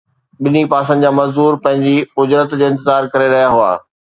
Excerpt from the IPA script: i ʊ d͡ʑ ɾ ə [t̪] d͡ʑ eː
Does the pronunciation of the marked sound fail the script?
no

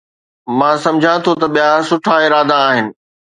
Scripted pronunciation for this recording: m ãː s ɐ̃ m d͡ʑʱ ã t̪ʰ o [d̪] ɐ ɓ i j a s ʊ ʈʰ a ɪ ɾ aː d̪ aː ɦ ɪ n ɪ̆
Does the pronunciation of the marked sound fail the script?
yes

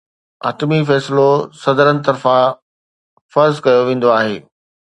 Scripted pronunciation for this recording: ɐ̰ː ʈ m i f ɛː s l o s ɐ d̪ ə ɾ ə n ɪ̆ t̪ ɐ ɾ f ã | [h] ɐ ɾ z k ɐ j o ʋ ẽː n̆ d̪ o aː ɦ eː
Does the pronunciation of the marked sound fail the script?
yes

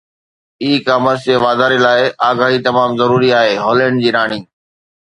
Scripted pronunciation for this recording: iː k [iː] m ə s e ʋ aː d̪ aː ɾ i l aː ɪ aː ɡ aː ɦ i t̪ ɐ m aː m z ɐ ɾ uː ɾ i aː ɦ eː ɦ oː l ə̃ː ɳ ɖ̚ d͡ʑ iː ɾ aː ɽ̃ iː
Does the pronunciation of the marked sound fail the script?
yes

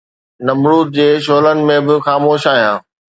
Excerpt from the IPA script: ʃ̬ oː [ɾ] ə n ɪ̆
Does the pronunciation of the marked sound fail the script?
yes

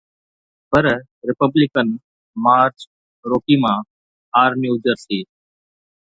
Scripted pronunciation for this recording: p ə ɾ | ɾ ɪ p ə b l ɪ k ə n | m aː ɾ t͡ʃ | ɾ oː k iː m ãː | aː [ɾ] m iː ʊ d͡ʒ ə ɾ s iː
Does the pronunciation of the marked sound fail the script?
no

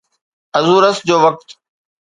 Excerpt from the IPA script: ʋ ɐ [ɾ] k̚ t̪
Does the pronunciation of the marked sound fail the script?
yes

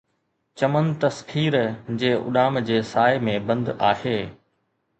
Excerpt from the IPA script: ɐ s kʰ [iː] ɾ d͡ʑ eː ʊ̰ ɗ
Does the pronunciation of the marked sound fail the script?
no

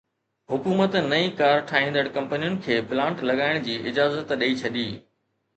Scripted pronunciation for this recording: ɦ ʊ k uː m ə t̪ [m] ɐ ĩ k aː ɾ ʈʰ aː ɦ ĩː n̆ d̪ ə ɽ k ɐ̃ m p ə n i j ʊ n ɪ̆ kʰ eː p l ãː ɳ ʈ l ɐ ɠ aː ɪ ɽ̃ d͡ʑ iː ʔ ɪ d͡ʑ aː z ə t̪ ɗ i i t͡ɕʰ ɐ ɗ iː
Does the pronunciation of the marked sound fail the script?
yes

